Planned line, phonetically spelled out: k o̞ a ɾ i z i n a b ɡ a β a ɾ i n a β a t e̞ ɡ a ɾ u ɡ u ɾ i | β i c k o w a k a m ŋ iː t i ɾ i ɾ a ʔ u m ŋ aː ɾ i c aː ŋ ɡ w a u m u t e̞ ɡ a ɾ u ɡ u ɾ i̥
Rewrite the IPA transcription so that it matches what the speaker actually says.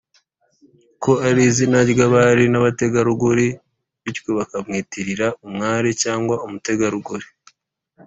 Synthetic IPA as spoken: k o̞ a ɾ i z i n a ɟ ɡ a β a ɾ i n a β a t e̞ ɡ a ɾ u ɡ u ɾ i | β i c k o β a k a m ŋ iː t i ɾ i ɾ a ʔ u m ŋ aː ɾ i c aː ŋ ɡ w a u m u t e̞ ɡ a ɾ u ɡ u ɾ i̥